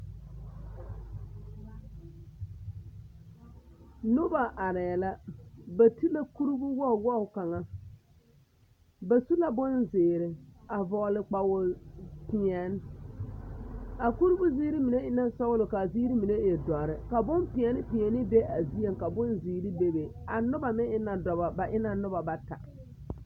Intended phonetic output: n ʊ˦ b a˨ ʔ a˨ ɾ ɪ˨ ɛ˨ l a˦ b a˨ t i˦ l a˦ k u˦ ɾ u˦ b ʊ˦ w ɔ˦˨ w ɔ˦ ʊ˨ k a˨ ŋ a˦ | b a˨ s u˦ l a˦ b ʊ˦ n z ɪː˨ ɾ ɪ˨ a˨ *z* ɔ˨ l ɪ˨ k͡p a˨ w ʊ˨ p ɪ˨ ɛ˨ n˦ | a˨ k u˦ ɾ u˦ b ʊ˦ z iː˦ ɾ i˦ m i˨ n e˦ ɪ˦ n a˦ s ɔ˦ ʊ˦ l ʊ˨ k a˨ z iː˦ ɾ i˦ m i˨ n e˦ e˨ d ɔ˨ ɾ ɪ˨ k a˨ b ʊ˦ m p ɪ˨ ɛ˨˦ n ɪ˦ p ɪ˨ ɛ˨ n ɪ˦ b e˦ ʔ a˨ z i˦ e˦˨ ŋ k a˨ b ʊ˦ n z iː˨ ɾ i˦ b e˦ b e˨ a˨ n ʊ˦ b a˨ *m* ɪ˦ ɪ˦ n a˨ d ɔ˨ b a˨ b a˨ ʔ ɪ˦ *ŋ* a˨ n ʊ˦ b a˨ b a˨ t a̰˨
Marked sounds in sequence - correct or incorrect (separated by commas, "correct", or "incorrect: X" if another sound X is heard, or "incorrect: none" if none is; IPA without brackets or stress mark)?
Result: incorrect: v, correct, incorrect: n